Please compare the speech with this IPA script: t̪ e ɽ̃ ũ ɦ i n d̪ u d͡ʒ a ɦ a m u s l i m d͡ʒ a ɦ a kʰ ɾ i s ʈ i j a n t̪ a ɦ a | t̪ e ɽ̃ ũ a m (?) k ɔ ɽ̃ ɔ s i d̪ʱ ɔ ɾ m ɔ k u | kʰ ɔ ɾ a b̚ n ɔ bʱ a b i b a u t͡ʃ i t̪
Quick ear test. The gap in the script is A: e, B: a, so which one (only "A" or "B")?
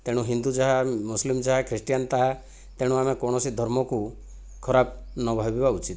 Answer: A